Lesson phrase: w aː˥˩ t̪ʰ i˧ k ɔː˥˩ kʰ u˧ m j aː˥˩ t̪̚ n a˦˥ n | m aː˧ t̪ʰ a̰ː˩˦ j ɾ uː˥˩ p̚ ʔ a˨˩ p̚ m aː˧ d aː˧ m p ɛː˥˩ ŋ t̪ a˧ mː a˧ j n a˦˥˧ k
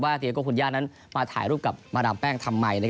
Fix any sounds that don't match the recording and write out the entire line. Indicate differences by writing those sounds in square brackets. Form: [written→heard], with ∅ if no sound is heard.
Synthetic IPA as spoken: w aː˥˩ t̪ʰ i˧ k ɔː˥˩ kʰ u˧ [m→n] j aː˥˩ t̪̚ n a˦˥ n | m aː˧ t̪ʰ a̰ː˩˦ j ɾ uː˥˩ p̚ [ʔ→k] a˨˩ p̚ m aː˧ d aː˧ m p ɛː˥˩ ŋ [t̪→t̪ʰ] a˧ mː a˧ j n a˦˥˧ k